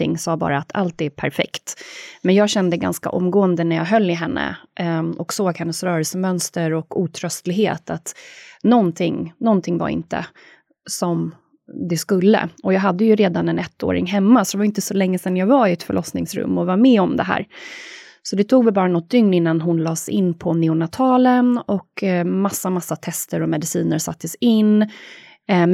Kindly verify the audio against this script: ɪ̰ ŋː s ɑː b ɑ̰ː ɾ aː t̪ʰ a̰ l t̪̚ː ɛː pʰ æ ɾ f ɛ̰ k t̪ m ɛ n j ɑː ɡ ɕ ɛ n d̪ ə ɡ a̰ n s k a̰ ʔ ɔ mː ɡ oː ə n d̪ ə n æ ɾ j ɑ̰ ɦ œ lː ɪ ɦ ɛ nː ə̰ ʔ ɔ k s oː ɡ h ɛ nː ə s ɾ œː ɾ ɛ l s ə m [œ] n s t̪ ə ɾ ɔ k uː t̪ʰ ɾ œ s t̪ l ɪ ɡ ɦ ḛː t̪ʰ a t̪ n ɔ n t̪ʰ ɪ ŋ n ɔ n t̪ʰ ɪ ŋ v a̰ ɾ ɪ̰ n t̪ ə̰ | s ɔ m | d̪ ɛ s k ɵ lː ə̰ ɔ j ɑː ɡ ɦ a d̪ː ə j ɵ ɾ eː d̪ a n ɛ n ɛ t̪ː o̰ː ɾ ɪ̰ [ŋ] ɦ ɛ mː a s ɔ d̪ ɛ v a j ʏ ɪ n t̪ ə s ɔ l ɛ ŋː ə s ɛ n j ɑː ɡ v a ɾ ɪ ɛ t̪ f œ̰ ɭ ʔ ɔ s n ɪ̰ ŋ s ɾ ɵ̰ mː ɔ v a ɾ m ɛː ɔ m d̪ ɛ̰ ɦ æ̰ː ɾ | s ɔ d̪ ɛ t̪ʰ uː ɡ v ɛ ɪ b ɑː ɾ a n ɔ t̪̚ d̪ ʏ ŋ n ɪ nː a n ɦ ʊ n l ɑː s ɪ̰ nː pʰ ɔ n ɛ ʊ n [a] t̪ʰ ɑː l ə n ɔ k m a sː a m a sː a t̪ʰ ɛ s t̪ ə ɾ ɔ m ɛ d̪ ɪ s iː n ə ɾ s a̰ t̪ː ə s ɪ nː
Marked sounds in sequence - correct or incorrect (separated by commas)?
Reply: correct, correct, correct